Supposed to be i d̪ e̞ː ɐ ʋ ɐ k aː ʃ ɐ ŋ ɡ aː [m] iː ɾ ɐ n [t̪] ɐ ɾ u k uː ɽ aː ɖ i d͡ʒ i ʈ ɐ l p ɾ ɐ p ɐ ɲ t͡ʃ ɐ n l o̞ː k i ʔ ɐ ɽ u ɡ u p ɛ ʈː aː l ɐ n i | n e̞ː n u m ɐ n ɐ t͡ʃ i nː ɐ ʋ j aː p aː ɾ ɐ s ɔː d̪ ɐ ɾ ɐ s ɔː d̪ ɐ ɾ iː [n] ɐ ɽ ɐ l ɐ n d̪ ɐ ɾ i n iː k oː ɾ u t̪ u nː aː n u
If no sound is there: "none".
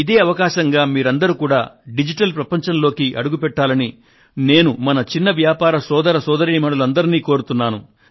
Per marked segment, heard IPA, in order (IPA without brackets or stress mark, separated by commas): m, d̪, m